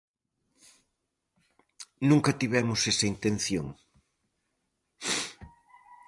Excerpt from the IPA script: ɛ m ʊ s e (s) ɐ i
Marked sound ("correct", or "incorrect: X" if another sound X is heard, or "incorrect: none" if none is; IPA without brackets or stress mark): correct